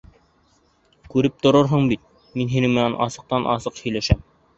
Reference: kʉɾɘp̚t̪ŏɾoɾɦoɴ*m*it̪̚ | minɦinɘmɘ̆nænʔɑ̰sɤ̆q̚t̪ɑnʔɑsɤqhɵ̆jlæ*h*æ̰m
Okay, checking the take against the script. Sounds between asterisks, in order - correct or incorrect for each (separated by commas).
incorrect, incorrect